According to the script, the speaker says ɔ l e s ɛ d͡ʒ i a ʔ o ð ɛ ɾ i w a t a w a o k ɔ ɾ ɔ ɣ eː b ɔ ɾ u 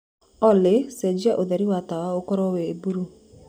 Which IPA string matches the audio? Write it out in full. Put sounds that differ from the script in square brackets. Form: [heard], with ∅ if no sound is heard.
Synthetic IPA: ɔ l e s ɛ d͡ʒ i a ʔ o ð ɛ ɾ i w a t a w a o k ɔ ɾ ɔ [w] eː b [u] ɾ u